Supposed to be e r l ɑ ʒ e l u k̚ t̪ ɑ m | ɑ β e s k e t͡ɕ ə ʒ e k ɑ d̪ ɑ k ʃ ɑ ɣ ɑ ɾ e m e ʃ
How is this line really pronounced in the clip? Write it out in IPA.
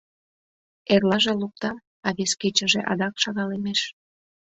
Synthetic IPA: e r l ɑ ʒ e l u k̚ t̪ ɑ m | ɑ β e s k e t͡ɕ ə ʒ e ʔ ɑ d̪ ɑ k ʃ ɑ ɣ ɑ l e m e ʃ